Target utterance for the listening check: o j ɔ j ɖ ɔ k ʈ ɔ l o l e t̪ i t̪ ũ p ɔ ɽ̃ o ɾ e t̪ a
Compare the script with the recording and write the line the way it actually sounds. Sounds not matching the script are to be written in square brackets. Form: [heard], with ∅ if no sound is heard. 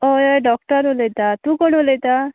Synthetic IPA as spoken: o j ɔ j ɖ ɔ k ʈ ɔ [ɾ] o l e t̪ [a] t̪ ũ [k] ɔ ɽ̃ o [l] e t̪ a